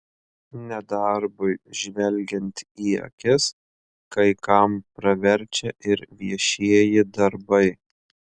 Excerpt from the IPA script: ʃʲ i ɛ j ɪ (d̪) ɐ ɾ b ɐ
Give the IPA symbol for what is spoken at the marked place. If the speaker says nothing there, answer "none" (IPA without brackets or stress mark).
d̪